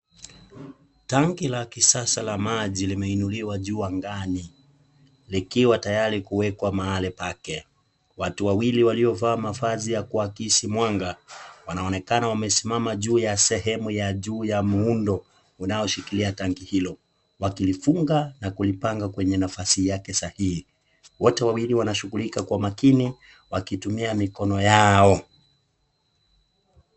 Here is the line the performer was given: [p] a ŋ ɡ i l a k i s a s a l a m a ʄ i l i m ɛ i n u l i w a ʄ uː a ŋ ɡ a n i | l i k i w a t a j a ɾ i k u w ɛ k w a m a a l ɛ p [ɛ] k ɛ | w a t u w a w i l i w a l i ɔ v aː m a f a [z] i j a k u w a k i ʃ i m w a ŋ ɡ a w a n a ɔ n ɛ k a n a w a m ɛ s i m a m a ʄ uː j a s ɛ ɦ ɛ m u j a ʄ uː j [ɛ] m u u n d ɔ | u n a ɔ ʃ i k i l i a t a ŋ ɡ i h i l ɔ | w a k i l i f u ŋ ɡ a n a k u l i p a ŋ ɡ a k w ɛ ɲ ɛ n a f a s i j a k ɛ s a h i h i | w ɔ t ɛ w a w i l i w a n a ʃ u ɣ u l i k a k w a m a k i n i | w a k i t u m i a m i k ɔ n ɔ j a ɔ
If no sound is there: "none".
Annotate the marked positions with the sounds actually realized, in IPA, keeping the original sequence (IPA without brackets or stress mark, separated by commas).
t, a, z, a